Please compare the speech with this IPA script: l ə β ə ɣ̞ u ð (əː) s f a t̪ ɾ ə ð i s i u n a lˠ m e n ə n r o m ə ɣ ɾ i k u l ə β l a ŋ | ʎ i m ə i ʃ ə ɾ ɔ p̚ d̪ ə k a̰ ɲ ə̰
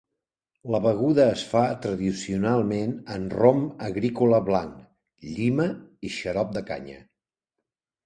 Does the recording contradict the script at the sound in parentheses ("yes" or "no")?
no